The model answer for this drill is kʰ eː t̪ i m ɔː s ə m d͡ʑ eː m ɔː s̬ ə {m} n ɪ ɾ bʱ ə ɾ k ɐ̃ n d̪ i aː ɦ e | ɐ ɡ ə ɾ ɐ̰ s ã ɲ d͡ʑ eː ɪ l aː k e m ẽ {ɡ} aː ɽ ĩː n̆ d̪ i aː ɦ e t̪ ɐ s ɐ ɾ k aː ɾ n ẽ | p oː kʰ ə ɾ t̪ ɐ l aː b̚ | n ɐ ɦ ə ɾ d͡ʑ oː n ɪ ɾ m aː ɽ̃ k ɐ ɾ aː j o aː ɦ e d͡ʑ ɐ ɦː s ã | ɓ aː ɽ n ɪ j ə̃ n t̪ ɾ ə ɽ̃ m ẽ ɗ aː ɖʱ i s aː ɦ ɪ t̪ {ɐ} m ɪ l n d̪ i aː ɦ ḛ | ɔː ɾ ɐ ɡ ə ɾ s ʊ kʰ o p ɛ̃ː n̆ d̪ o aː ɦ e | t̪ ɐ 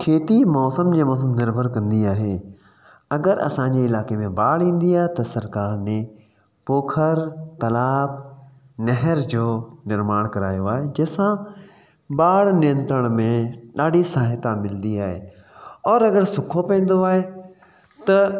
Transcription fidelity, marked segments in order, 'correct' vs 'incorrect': correct, incorrect, incorrect

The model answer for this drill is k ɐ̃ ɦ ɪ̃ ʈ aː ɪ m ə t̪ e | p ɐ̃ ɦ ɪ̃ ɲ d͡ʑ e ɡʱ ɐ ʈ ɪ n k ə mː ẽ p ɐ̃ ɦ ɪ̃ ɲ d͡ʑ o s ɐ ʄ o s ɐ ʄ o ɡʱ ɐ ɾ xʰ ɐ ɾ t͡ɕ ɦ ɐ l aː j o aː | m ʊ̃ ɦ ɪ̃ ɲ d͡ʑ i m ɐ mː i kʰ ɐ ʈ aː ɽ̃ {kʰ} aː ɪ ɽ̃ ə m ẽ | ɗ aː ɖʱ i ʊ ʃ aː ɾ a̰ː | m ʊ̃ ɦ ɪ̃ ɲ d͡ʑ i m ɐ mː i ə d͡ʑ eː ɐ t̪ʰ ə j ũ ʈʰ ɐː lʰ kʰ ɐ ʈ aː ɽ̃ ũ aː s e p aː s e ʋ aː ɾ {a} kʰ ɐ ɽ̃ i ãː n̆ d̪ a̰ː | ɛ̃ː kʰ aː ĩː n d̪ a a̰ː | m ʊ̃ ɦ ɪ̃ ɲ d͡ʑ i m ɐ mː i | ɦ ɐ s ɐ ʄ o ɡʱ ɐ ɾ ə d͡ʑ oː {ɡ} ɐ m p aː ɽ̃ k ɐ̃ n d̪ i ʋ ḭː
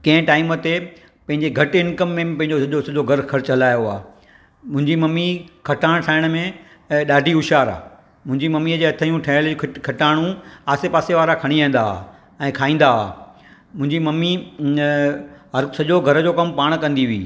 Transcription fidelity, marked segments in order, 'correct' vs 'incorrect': incorrect, correct, incorrect

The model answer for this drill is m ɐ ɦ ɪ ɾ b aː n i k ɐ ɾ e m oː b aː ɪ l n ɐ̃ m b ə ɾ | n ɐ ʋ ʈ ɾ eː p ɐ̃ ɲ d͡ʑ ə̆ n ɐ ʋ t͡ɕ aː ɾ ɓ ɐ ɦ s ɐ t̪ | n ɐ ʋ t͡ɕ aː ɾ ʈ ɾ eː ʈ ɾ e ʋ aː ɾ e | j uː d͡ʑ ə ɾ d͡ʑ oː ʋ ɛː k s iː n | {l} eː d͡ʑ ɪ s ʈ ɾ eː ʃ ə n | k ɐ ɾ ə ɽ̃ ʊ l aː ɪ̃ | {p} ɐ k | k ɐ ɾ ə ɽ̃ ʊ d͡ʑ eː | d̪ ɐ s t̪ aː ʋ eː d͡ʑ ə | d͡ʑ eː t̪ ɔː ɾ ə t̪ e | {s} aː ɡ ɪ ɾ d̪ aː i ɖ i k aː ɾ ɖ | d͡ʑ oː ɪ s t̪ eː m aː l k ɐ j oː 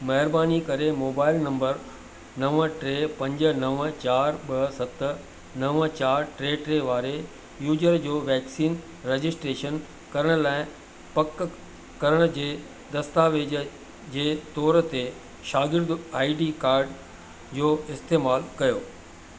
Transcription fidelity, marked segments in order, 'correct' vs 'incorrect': incorrect, correct, incorrect

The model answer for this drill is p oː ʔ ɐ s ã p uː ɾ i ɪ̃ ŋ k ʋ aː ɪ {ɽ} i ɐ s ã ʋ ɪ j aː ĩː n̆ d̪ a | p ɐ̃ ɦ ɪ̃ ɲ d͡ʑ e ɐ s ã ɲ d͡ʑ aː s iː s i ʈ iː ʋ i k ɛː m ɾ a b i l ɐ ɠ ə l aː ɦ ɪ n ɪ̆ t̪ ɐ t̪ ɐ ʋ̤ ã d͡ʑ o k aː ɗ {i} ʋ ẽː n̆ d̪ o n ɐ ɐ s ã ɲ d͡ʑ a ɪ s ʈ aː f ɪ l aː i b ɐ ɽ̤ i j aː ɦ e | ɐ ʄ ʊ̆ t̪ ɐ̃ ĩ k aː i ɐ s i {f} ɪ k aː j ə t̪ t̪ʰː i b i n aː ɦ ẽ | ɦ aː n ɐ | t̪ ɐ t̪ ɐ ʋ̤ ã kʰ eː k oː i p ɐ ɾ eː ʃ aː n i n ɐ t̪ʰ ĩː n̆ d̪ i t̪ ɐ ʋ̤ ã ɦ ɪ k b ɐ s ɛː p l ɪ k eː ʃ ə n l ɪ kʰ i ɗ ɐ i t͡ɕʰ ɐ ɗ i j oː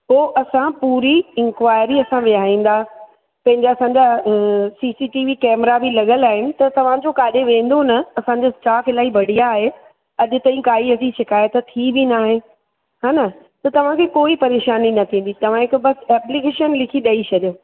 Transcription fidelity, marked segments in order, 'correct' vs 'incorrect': incorrect, incorrect, incorrect

